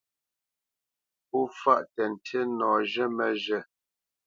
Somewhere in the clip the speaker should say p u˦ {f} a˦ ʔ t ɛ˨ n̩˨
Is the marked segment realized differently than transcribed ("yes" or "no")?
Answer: no